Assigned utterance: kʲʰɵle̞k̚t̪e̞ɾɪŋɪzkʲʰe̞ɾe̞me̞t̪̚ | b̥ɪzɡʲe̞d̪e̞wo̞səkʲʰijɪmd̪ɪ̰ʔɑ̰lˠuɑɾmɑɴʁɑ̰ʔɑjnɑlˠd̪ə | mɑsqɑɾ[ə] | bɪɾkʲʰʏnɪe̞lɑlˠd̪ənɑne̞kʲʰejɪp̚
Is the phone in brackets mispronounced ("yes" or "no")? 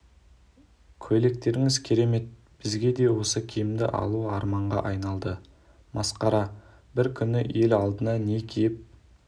yes